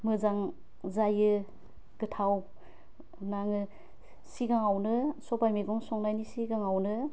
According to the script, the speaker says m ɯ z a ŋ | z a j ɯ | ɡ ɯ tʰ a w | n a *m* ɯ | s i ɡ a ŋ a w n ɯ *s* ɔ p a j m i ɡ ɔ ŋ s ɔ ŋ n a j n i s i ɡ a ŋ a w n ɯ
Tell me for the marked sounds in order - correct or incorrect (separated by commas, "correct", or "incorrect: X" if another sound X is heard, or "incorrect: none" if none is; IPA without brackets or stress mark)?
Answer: incorrect: ŋ, correct